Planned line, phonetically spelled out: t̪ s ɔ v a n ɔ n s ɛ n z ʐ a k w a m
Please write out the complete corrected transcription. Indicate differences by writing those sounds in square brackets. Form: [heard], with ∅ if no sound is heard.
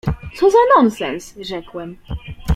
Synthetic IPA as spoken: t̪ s ɔ [z] a n ɔ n s ɛ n [s] ʐ [ɛ] k w [ɛ] m